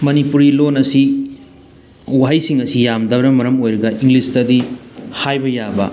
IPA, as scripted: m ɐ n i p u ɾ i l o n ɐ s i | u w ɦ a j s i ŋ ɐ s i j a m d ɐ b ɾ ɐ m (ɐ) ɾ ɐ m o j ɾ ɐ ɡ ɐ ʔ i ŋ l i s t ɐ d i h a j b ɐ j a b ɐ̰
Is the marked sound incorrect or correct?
correct